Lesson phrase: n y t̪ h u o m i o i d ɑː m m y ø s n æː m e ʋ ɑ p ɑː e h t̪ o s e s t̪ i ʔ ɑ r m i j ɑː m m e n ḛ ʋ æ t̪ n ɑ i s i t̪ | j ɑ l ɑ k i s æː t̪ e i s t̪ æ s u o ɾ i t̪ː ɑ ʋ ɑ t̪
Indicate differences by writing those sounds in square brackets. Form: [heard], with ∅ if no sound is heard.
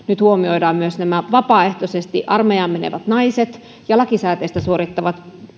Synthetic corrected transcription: n y t̪ h u o m i o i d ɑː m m y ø s n [æ] m [æ] ʋ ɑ p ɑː e h t̪ o s e s t̪ i ʔ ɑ r m [e] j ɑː m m e n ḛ ʋ æ t̪ n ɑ i s [e] t̪ | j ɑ l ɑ k i s æː t̪ e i s t̪ æ s u o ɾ i t̪ː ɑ ʋ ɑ t̪